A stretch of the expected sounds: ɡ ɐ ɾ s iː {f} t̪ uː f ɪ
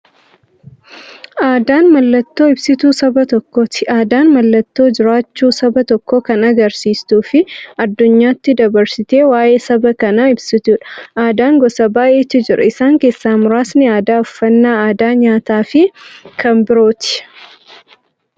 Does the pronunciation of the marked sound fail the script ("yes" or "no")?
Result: yes